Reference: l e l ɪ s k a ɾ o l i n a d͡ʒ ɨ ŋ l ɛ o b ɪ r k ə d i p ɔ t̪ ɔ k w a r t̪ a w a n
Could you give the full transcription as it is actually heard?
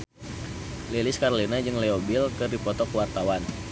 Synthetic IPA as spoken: l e l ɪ s k a ɾ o l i n a d͡ʒ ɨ ŋ l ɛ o b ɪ l k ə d i p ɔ t̪ ɔ k w a r t̪ a w a n